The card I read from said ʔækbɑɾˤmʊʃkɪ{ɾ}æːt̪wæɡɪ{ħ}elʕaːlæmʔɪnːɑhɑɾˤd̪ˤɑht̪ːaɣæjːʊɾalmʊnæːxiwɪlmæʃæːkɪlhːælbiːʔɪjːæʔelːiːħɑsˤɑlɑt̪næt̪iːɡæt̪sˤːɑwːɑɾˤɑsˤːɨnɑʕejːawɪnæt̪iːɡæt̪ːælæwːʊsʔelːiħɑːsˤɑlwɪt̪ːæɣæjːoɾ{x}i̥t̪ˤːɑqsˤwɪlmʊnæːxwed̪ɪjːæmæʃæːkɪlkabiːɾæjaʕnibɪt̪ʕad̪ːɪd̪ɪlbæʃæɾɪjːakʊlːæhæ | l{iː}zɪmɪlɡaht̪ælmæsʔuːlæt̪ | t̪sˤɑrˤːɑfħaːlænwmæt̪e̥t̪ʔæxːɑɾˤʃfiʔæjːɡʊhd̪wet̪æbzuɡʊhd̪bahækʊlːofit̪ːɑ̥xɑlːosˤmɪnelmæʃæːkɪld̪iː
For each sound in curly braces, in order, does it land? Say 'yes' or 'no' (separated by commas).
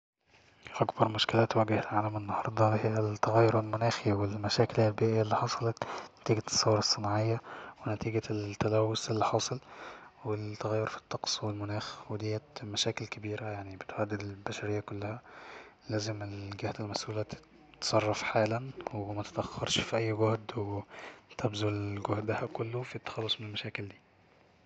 no, no, no, no